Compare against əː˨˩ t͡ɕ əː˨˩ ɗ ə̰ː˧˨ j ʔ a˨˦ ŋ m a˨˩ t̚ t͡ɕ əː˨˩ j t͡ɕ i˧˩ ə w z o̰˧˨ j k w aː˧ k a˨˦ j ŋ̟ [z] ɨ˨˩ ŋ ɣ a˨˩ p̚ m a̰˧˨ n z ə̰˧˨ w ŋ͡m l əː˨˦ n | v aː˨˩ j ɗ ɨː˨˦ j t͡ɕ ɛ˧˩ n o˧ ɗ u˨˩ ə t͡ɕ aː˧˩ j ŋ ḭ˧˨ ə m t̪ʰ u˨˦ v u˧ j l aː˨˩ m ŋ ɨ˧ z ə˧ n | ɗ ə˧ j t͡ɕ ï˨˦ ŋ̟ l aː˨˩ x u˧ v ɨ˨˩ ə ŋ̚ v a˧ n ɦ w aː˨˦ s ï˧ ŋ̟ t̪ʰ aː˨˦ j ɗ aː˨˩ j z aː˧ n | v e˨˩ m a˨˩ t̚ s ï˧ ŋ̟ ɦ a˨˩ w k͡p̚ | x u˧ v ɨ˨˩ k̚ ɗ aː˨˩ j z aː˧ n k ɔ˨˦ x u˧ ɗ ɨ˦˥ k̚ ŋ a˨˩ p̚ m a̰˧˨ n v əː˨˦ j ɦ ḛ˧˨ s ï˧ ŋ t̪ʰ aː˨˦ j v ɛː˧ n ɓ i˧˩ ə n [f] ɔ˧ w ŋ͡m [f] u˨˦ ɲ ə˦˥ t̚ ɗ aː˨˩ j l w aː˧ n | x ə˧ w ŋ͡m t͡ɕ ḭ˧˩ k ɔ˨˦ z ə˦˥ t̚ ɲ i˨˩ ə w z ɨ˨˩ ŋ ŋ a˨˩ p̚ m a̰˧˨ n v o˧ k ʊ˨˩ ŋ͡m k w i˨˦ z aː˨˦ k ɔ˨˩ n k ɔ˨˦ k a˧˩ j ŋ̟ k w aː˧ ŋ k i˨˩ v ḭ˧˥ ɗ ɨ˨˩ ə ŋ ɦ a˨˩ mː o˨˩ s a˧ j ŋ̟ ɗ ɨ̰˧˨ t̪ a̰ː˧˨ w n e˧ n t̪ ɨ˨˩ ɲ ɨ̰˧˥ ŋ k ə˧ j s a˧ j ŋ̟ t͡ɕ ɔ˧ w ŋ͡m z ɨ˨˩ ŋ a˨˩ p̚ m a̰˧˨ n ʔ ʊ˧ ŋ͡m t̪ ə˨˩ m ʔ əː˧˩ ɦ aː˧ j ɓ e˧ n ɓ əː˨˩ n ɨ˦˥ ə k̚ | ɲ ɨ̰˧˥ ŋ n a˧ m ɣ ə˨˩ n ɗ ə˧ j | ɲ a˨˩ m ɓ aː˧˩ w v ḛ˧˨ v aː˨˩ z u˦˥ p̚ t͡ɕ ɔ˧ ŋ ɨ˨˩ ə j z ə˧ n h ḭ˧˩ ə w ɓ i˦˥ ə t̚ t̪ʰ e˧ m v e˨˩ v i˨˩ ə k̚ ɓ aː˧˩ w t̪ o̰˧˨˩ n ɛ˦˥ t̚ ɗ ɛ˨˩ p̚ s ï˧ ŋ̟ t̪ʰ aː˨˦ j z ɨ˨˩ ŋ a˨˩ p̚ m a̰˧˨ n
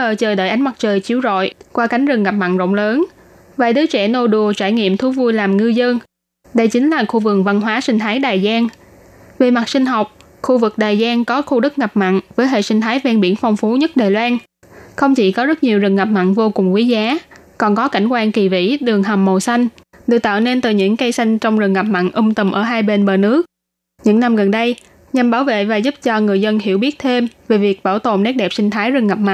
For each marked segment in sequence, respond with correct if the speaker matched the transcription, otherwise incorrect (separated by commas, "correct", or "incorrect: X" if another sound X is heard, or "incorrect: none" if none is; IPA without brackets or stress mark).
correct, correct, correct